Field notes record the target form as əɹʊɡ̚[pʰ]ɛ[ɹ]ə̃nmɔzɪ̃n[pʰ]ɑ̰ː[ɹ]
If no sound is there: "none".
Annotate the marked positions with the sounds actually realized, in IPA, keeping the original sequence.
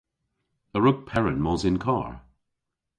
pʰ, ɹ, kʰ, ɹ

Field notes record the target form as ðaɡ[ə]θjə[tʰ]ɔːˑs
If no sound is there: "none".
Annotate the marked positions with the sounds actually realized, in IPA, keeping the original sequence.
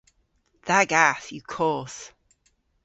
a, kʰ

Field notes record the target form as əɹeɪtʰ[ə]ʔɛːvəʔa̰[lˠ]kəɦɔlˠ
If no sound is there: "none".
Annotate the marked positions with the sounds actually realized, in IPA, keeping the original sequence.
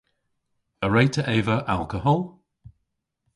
ə, lˠ

